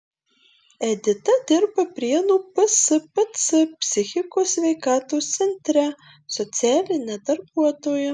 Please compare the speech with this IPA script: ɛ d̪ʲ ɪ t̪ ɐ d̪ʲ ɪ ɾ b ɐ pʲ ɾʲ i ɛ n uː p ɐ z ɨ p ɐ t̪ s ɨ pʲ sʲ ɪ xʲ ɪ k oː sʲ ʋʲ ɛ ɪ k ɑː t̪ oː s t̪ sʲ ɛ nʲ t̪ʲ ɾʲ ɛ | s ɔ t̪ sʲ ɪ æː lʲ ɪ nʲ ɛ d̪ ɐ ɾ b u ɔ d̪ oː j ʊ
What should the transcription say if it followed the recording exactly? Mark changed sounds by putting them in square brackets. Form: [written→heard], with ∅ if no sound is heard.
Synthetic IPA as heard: ɛ d̪ʲ ɪ t̪ ɐ d̪ʲ ɪ ɾ b ɐ pʲ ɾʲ i ɛ n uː p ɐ [z→s] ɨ p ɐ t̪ s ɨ pʲ sʲ ɪ xʲ ɪ k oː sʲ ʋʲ ɛ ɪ k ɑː t̪ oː s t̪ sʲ ɛ nʲ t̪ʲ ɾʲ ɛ | s ɔ t̪ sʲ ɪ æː lʲ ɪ nʲ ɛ d̪ ɐ ɾ b u ɔ [d̪→t̪] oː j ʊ